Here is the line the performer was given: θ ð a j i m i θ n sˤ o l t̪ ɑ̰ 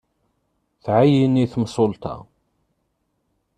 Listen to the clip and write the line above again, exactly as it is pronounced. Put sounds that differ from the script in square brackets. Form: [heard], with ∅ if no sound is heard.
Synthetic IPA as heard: θ [ʕ] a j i [n] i θ [m] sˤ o l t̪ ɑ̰